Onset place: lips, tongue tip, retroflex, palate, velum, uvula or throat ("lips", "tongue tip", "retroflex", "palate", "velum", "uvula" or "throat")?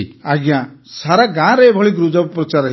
velum